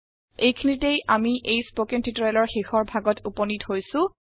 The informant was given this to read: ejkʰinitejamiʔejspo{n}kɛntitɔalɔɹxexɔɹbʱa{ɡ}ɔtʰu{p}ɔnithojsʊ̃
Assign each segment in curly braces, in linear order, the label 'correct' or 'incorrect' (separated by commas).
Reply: incorrect, correct, correct